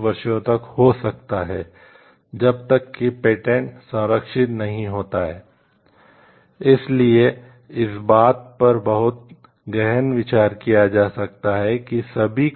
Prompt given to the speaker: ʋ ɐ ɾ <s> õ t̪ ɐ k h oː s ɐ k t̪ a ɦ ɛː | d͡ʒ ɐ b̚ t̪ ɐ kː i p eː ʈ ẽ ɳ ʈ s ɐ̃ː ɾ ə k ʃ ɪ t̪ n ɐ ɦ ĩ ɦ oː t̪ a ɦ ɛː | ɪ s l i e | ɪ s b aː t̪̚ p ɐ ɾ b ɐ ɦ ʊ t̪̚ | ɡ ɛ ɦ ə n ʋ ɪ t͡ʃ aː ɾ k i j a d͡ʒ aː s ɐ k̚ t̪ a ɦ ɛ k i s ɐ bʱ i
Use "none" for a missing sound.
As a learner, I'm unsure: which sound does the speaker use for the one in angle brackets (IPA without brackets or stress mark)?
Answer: ʃ